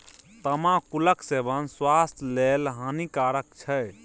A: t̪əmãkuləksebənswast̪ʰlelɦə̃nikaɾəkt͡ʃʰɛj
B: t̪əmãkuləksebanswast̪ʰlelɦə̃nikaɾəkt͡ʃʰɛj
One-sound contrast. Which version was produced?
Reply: A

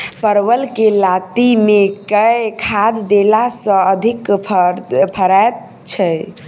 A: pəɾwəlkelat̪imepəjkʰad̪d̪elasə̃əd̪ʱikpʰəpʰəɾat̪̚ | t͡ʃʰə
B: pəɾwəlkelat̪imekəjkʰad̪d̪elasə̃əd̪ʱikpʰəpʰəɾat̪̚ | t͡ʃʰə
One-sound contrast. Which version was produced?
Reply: B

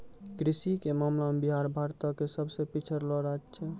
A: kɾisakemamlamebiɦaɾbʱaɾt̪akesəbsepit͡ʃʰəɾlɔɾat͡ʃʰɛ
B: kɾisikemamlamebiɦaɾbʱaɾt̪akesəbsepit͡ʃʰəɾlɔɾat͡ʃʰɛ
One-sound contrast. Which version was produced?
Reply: B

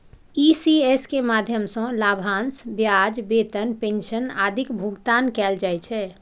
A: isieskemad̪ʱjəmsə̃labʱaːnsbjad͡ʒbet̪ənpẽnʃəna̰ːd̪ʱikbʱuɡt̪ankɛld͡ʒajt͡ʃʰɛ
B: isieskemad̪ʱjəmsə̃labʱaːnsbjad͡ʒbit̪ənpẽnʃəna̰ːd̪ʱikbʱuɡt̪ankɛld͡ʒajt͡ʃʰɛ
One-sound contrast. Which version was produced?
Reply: A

